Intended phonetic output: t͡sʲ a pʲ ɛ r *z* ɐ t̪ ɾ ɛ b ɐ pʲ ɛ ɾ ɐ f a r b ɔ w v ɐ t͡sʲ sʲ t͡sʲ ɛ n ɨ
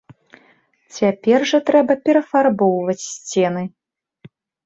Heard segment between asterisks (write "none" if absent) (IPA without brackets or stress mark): ʐ